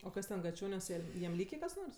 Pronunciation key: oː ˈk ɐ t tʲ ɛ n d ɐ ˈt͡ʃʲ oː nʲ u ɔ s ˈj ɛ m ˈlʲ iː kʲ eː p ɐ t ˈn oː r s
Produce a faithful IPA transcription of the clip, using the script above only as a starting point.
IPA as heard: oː ˈk ɐ s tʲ ɛ n ɡ ɐ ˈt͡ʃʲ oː nʲ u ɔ s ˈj ɛ m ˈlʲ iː kʲ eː k ɐ s ˈn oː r s